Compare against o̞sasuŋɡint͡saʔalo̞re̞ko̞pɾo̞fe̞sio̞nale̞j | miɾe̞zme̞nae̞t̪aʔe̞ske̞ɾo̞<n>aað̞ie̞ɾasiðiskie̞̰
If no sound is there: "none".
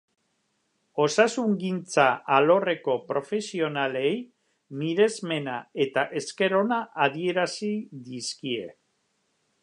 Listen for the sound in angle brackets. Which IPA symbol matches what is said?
n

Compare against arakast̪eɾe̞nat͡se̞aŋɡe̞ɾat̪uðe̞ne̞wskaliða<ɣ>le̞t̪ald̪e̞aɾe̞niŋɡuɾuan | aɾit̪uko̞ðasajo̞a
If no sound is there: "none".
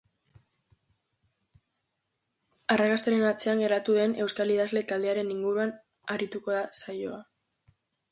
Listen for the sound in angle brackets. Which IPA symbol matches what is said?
z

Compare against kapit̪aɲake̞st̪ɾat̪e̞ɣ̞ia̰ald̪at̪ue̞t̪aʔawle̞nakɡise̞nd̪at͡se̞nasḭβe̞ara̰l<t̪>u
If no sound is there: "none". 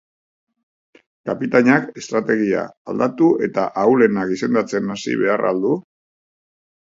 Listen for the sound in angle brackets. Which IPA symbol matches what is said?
d̪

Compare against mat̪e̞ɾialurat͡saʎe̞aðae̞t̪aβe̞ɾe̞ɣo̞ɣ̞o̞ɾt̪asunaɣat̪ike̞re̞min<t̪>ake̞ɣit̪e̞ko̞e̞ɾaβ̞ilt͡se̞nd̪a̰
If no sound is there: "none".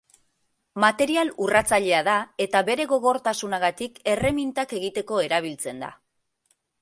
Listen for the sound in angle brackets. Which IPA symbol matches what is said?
t̪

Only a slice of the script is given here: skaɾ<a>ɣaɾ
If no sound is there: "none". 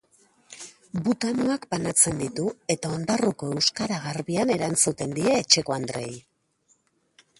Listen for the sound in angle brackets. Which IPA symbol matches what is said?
a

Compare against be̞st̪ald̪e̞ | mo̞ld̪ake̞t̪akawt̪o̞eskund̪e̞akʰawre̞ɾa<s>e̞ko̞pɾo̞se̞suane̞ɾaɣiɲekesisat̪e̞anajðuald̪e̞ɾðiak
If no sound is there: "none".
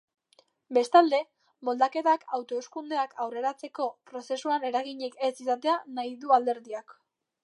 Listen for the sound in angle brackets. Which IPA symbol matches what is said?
t͡s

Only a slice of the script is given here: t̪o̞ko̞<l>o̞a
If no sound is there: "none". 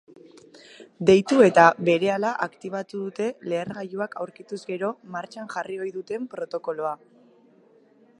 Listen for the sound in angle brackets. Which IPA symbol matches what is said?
l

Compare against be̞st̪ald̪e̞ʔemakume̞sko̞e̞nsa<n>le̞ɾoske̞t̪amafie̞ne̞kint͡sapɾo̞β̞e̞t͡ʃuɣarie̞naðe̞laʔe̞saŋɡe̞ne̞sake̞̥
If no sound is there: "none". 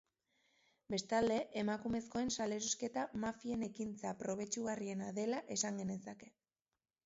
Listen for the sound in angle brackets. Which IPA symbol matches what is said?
none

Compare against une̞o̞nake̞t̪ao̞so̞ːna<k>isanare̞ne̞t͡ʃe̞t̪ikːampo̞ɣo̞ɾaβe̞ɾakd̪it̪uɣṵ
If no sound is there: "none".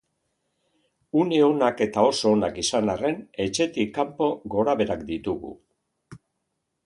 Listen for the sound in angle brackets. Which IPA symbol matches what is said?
k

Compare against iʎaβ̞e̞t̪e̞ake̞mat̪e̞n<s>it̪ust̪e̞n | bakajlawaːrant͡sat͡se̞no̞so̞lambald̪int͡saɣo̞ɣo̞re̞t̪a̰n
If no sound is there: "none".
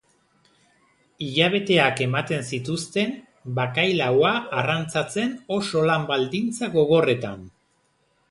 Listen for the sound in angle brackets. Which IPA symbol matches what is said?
s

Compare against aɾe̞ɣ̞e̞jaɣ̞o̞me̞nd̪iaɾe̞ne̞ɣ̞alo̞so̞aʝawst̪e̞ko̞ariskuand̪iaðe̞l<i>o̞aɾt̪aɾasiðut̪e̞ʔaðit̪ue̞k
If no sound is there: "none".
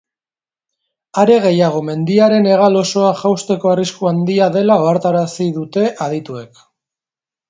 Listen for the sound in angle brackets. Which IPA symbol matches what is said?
a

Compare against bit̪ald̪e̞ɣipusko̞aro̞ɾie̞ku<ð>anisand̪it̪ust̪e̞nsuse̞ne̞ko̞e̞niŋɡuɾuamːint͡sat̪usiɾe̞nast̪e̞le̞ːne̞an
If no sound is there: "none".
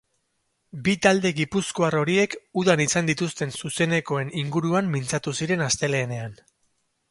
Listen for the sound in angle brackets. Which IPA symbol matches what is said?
ð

